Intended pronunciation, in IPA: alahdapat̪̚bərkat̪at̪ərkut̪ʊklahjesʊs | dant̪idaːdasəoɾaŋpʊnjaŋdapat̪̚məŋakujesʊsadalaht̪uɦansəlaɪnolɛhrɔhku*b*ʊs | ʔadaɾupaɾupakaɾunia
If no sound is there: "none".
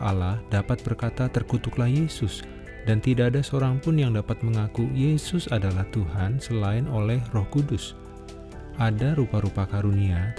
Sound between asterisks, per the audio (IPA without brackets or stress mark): d